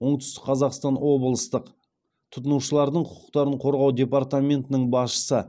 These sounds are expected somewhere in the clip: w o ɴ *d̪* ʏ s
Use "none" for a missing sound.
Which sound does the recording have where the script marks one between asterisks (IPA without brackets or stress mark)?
t̪